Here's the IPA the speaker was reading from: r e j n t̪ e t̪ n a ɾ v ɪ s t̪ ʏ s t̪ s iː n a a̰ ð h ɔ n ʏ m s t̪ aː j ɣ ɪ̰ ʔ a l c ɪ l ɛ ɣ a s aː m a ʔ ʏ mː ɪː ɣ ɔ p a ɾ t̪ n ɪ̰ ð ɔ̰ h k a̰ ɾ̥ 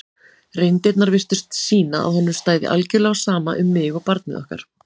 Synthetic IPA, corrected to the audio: r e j n t̪ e t̪ n a ɾ v ɪ s t̪ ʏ s t̪ s iː n a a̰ ð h ɔ nː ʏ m s t̪ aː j ð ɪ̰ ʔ a l c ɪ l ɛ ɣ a s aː m a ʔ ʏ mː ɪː ɣ ɔ p a ɾ t̪ n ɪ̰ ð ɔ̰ h k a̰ ɾ̥